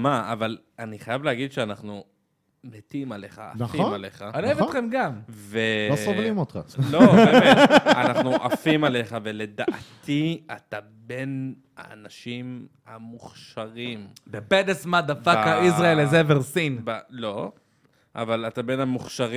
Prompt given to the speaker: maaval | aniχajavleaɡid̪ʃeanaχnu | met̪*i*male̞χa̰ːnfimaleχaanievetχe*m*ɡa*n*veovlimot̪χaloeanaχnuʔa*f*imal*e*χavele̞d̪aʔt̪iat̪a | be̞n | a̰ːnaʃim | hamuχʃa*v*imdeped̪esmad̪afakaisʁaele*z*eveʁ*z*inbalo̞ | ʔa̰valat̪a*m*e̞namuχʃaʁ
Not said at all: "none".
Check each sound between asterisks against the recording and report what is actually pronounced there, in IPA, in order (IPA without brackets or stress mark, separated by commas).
i, m, m, f, e, ʁ, z, s, b